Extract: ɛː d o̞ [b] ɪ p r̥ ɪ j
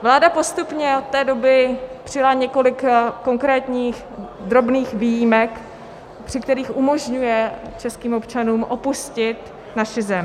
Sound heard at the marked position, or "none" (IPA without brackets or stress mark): b